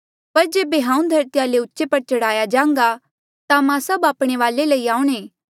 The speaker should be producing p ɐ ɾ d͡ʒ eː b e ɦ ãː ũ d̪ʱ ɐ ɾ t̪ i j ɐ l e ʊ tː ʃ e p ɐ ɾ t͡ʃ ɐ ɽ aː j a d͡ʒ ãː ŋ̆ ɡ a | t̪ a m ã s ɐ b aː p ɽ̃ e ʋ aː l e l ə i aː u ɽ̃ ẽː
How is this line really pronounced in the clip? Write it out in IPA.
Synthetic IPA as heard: p ɐ ɾ d͡ʒ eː b e ɦ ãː ũ d̪ʱ ɐ ɾ t̪ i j a l e ʊ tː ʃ e p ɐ ɾ t͡ʃ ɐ ɽ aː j a d͡ʒ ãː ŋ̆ ɡ a | t̪ a m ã s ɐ b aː p ɽ̃ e ʋ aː l e l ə i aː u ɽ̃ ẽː

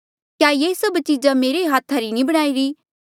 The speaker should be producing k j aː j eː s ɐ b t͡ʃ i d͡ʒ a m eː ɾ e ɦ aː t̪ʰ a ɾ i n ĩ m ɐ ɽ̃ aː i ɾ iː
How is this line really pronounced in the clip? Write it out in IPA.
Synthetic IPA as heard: k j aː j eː s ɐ b t͡ʃ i d͡ʒ a m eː ɾ e ɦ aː t̪ʰ a ɾ i n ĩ b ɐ ɽ̃ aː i ɾ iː

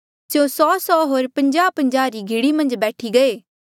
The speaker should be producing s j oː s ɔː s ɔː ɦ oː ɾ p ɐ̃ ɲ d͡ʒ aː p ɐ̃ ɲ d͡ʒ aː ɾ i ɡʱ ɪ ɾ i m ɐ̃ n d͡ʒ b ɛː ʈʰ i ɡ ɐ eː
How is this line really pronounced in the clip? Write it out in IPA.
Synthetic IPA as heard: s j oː s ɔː s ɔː ɦ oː ɾ p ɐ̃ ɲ d͡ʒ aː p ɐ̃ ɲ d͡ʒ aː ɾ i ɡʱ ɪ ɽ i m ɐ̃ n d͡ʒ b ɛː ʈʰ i ɡ ɐ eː

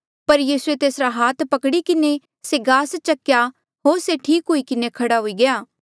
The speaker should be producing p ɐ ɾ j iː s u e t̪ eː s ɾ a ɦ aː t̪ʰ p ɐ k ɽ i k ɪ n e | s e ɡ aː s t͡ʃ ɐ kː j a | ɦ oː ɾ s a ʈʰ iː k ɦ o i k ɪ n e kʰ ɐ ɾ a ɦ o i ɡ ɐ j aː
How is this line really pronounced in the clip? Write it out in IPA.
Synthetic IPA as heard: p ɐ ɾ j iː s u e t̪ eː s ɾ a ɦ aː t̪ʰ p ɐ k ɽ i k ɪ n e | s e ɡ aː s t͡ʃ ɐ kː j a | ɦ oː ɾ s e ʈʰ iː k ɦ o i k ɪ n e kʰ ɐ ɽ a ɦ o i ɡ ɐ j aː

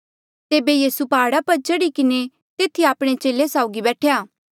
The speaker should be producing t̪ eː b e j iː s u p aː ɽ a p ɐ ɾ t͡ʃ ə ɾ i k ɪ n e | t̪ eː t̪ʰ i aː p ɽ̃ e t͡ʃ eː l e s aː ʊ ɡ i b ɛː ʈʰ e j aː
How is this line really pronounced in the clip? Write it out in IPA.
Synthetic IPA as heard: t̪ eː b e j iː s u p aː ɽ a p ɐ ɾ t͡ʃ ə ɽ i k ɪ n e | t̪ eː t̪ʰ i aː p ɽ̃ e t͡ʃ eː l e s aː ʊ ɡ i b ɛː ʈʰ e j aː

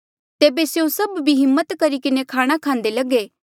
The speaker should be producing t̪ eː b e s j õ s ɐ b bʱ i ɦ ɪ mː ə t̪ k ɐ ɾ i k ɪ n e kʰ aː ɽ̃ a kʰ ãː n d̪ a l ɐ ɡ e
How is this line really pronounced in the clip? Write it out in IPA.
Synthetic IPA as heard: t̪ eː b e s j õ s ɐ b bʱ i ɦ ɪ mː ə t̪ k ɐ ɾ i k ɪ n e kʰ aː ɽ̃ a kʰ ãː n d̪ e l ɐ ɡ e

